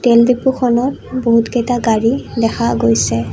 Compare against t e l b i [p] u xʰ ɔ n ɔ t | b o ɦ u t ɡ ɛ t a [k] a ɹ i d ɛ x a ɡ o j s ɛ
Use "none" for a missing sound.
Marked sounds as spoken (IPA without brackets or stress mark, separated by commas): p, ɡ